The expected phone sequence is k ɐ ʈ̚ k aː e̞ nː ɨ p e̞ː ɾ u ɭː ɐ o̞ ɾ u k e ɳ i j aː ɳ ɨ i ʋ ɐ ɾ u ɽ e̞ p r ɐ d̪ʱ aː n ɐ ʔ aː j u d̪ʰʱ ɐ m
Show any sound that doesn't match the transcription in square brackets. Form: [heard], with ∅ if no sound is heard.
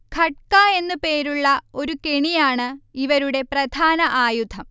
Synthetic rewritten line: [kʰ] ɐ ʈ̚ k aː e̞ nː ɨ p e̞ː ɾ u ɭː ɐ o̞ ɾ u k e ɳ i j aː ɳ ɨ i ʋ ɐ ɾ u ɽ e̞ p r ɐ d̪ʱ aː n ɐ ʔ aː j u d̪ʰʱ ɐ m